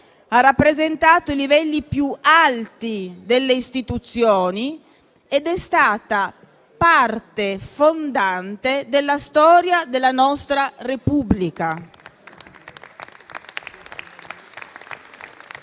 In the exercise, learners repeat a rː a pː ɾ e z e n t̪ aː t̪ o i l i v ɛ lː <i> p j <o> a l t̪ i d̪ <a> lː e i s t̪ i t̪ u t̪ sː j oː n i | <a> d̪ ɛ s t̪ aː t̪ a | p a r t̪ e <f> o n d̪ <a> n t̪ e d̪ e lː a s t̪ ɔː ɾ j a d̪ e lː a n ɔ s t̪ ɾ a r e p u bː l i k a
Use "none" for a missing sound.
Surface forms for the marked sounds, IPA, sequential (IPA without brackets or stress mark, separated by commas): i, u, e, e, f, a